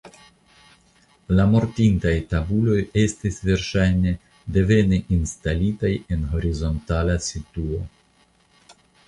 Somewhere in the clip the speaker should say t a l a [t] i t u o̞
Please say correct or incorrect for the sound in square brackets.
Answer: incorrect